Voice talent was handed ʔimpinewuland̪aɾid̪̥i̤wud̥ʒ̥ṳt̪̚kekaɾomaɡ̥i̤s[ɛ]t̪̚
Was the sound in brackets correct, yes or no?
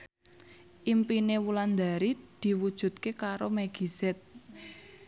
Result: yes